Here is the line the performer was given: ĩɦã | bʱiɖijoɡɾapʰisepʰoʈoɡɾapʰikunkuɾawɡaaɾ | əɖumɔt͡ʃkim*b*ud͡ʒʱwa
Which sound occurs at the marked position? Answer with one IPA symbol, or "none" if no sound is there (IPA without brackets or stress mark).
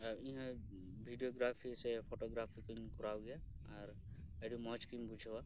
b